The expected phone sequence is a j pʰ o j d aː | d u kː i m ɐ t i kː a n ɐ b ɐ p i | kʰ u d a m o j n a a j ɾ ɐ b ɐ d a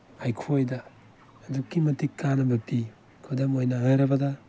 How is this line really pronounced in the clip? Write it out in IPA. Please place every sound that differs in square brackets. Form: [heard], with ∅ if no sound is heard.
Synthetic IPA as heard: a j [kʰ] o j d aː | d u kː i m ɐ t i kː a n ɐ b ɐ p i | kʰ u d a m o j n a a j ɾ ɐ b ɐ d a